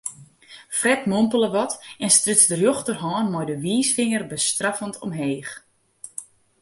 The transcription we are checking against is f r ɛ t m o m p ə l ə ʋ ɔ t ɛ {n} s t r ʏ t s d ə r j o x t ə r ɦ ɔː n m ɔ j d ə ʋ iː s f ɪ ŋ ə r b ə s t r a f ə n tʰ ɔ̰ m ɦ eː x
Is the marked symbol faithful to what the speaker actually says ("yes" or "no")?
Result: yes